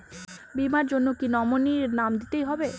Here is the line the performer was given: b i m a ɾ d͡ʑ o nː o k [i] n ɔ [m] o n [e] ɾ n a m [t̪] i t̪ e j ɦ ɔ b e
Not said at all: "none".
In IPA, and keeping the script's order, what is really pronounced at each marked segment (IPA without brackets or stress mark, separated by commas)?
i, m, i, d̪